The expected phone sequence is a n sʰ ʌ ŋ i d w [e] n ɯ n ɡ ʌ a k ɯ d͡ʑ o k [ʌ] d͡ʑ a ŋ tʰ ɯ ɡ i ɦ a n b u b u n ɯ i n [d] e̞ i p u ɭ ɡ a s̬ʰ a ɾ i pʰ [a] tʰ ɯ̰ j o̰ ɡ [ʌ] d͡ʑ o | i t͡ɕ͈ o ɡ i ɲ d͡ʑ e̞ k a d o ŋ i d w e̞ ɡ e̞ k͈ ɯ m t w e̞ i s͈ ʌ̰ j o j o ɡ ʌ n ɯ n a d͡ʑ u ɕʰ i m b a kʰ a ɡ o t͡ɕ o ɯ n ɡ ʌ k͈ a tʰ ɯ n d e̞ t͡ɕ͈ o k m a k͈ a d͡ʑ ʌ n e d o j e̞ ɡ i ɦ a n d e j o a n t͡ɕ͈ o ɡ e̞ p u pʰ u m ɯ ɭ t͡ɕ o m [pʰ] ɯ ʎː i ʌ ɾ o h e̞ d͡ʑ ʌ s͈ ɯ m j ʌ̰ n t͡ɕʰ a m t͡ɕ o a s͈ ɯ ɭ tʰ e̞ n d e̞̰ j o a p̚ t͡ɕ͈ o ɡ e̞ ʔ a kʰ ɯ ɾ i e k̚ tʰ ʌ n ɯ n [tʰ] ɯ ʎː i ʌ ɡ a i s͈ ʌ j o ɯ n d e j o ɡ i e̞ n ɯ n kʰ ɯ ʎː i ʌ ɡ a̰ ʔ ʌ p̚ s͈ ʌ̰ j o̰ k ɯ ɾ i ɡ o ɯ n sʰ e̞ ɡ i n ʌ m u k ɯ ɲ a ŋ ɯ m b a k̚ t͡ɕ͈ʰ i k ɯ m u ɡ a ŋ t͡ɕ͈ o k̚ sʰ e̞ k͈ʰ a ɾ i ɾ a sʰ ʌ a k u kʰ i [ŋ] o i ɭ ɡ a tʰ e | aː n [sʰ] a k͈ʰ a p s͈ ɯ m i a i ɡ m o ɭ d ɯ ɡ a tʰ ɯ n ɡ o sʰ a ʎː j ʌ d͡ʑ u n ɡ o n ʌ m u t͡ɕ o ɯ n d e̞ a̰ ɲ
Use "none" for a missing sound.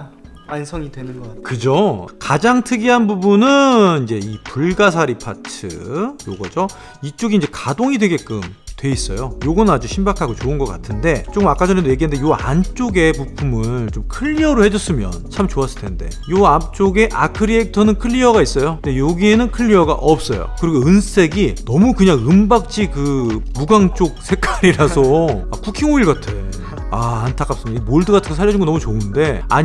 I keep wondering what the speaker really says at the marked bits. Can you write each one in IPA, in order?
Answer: e, a, d͡ʑ, a, ʌ, kʰ, kʰ, ŋ, tʰ

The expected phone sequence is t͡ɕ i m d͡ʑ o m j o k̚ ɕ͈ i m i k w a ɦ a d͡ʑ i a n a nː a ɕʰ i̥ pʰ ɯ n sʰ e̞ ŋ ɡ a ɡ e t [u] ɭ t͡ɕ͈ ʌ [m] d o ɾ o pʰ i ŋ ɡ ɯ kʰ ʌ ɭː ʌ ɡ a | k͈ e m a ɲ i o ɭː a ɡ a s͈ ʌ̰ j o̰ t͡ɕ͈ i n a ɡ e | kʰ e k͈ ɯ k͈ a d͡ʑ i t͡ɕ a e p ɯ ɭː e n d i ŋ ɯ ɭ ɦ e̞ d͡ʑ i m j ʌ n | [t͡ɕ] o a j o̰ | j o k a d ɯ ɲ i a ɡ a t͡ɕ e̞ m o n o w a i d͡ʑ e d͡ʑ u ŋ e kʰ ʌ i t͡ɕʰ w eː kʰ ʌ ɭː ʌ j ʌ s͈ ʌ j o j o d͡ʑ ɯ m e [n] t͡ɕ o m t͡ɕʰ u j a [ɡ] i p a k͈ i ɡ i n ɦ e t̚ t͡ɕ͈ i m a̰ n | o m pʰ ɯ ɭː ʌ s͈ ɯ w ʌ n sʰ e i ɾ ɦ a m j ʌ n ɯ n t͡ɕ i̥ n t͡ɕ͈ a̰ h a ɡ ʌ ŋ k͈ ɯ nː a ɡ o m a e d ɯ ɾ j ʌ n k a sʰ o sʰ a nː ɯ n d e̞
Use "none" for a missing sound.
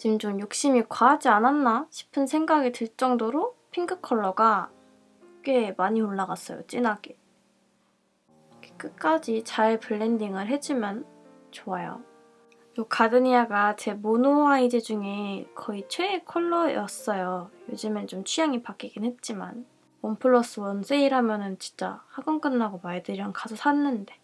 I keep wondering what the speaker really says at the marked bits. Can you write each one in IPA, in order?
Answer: ɯ, ŋ, t͡ɕ, n, ŋ

